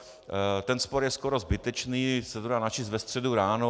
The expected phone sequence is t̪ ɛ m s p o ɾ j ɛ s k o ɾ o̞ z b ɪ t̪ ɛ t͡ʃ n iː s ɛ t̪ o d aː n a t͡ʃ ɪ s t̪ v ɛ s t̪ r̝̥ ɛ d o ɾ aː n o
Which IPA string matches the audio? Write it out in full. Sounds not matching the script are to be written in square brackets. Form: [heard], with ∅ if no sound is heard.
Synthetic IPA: t̪ ɛ [n] s p o ɾ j ɛ s k o ɾ o̞ z b ɪ t̪ ɛ t͡ʃ n iː s ɛ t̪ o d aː n a t͡ʃ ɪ s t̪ v ɛ s t̪ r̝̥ ɛ d [u] ɾ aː n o